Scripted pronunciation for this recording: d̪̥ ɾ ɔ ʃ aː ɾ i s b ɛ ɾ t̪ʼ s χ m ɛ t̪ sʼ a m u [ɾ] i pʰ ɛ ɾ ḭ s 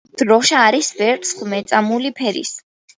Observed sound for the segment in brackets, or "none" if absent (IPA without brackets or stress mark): l